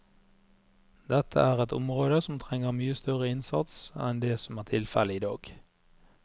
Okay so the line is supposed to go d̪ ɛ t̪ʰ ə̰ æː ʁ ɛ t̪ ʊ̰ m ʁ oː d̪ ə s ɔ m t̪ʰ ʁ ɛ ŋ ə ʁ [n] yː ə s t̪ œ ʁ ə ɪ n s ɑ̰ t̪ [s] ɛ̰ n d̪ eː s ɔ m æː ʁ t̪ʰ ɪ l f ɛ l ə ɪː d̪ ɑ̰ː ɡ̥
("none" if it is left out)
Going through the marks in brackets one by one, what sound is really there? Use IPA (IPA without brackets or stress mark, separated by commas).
m, s